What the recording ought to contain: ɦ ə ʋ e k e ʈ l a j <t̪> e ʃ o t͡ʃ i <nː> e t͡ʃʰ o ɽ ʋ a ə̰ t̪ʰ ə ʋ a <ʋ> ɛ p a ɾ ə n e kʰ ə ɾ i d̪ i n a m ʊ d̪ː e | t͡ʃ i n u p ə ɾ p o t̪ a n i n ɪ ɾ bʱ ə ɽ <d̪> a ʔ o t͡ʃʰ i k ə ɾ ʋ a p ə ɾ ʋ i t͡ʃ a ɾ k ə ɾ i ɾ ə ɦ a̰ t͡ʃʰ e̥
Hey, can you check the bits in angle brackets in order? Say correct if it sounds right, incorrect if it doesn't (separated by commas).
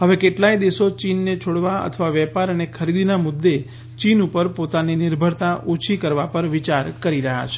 incorrect, correct, correct, incorrect